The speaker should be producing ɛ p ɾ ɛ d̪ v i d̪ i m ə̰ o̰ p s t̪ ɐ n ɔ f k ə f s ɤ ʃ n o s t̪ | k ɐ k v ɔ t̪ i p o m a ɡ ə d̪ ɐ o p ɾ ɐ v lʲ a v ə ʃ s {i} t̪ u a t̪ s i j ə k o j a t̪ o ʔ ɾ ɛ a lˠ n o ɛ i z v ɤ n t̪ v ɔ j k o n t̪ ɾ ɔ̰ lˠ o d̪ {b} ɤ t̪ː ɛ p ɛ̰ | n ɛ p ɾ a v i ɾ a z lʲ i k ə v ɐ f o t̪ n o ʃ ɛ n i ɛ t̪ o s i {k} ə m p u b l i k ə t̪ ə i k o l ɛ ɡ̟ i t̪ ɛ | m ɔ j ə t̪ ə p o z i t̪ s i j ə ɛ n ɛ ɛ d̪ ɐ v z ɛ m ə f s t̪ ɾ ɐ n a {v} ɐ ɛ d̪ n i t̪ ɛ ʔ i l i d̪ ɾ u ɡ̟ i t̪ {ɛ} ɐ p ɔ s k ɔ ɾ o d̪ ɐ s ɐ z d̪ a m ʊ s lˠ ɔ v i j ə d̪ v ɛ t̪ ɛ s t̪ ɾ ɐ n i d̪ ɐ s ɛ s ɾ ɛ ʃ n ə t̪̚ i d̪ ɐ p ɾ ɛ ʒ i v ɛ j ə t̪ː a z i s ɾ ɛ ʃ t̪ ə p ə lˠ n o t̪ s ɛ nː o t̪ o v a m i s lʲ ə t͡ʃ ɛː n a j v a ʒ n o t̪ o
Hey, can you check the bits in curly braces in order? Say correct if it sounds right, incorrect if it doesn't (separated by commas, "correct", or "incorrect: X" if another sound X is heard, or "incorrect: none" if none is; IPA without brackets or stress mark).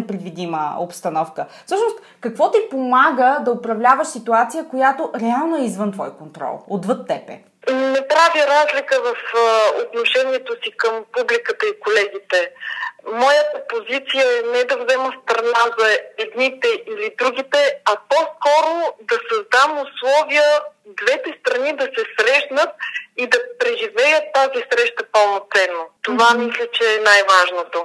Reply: correct, incorrect: v, correct, incorrect: z, correct